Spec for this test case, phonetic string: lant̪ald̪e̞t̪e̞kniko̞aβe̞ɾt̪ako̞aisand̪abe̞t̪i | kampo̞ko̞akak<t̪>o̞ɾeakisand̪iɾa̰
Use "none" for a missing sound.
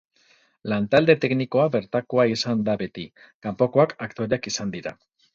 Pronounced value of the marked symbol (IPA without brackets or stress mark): t̪